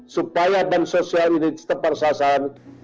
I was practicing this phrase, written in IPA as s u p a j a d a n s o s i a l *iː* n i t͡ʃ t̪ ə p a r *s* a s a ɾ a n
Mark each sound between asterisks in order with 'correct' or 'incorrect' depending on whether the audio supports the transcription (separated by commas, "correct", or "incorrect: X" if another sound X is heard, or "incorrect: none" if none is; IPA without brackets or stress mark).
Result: incorrect: i, correct